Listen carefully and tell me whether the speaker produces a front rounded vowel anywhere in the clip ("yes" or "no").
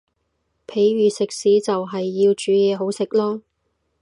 yes